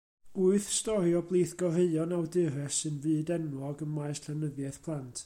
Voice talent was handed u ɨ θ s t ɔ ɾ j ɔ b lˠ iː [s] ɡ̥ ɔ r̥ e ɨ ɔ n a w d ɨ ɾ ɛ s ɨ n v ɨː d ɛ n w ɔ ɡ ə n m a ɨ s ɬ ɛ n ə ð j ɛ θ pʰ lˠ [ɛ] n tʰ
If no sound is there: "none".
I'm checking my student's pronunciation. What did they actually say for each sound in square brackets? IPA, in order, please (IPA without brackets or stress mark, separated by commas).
θ, a